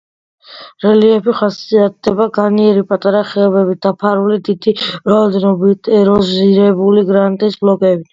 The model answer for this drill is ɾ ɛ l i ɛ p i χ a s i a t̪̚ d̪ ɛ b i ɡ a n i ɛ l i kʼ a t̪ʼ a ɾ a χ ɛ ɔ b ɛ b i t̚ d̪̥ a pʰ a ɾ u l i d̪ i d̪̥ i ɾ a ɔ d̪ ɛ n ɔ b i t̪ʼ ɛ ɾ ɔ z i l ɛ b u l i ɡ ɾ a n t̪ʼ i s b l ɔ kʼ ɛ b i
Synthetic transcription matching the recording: ɾ ɛ l i ɛ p i χ a s i a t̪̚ d̪ ɛ b a ɡ a n i ɛ ɾ i pʼ a t̪ʼ a ɾ a χ ɛ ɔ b ɛ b i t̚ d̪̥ a pʰ a ɾ u l i d̪ i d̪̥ i ɾ a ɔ d̪ ɛ n ɔ b i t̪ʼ ɛ ɾ ɔ z i ɾ ɛ b u l i ɡ ɾ a n t̪ʼ i s b l ɔ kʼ ɛ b i